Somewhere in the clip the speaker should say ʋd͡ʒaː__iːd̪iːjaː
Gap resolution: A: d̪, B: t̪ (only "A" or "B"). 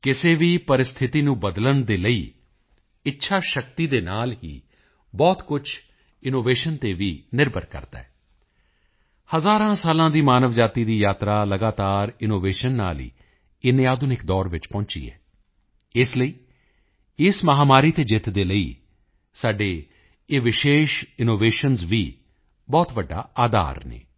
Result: B